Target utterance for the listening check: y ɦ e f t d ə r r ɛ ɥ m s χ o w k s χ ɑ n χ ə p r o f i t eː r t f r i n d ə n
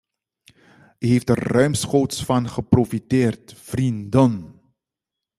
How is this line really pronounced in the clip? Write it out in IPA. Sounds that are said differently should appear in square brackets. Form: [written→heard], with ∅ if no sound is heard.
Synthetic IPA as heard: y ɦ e f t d ə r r [ɛ→œ] ɥ m s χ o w [k→t] s [χ→f] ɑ n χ ə p r o f i t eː r t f r i n d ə n